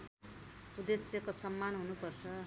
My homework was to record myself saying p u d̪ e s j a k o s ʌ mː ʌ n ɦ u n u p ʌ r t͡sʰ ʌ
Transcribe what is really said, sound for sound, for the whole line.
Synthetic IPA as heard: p u d̪ e s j ʌ k o s ʌ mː a n ɦ u n u p ʌ r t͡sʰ ʌ

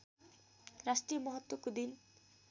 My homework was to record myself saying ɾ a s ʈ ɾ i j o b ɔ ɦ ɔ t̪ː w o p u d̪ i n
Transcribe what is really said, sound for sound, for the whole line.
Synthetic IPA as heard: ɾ a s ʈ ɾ i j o m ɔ ɦ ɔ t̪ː w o k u d̪ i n

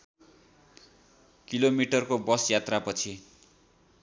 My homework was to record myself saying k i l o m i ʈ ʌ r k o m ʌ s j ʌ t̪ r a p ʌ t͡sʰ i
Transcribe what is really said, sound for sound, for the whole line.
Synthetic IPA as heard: k i l o m i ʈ ʌ r k o b ʌ s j a t̪ r a p ʌ t͡sʰ i

